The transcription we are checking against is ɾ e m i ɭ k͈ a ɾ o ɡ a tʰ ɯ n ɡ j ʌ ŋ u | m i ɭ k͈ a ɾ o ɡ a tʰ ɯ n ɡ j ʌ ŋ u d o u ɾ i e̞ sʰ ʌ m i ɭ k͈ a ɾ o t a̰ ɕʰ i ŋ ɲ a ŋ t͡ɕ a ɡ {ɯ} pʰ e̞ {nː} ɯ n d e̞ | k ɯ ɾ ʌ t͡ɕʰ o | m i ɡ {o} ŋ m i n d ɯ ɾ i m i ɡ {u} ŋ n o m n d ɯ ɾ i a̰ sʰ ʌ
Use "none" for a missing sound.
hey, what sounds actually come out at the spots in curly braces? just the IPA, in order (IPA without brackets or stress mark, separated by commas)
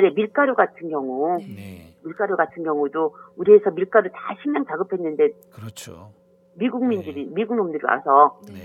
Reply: ɯ, nː, u, u